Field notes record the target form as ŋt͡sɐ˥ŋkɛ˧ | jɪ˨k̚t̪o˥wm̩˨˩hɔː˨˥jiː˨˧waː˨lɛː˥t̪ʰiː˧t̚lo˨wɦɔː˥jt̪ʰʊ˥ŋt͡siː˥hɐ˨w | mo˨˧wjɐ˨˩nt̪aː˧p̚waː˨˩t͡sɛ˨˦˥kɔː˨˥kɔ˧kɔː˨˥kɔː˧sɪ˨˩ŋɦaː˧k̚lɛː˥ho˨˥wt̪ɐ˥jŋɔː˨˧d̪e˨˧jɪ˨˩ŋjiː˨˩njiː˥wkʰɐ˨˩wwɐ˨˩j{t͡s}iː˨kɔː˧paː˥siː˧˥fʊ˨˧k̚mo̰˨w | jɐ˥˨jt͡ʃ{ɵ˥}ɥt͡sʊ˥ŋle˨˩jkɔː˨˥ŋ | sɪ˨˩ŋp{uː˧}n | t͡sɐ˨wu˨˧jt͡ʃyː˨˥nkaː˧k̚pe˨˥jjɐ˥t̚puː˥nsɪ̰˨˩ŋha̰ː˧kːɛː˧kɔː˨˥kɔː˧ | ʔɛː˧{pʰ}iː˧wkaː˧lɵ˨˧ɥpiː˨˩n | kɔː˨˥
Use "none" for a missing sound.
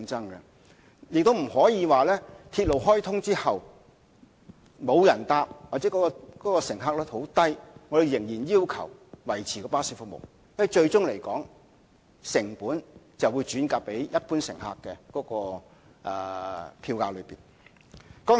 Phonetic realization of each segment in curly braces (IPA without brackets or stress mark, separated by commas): t͡sʰ, ɵ˧, uː˨˥, pʰ